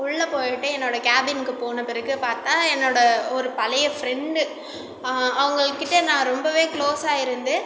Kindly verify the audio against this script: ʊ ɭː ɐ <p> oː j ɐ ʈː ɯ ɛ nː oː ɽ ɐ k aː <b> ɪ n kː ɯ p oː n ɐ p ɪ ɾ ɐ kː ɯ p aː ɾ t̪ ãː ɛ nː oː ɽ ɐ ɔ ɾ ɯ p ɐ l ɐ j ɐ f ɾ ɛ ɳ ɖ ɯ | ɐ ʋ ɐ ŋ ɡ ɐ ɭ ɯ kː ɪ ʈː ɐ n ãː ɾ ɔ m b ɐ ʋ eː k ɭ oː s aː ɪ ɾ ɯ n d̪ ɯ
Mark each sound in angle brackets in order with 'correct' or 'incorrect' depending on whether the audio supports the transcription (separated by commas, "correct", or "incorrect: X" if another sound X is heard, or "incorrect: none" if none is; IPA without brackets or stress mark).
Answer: correct, correct